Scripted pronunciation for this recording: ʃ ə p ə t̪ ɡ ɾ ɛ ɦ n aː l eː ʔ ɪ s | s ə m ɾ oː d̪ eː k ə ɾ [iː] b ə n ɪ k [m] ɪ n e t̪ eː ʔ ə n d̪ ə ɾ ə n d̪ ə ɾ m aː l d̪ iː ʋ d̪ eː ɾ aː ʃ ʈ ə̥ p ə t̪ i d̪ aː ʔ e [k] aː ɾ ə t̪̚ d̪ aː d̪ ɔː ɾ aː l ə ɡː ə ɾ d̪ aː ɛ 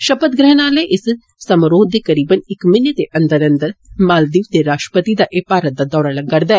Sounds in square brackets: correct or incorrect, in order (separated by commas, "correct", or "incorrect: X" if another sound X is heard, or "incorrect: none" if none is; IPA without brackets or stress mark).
correct, correct, incorrect: p